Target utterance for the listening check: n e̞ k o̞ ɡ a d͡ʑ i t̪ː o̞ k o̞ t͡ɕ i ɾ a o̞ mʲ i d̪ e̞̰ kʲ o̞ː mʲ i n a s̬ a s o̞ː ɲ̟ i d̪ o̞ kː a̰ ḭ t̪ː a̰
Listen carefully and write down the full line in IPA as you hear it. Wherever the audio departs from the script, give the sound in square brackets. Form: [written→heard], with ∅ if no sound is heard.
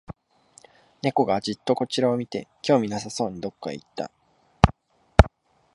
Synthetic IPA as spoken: n e̞ k o̞ ɡ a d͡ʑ i t̪ː o̞ k o̞ t͡ɕ i ɾ a o̞ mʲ i [d̪→t̪] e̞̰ kʲ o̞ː mʲ i n a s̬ a s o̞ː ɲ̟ i d̪ o̞ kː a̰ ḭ t̪ː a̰